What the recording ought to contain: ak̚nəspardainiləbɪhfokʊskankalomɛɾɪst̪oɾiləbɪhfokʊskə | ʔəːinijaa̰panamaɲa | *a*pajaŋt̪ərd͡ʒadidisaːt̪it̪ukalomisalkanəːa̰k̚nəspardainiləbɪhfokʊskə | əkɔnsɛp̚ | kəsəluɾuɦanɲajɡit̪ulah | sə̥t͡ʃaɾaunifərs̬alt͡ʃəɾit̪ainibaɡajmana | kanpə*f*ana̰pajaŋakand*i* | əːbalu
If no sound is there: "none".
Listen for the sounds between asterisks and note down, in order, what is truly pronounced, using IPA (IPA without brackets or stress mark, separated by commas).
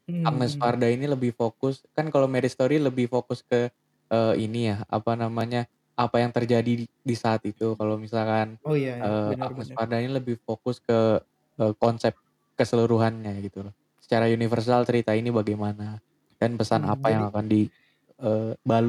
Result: a, s, i